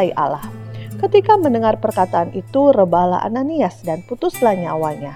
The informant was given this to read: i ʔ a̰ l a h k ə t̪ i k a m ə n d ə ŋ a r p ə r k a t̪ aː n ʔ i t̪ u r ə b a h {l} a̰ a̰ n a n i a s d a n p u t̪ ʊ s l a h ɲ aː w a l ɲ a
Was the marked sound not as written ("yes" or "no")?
no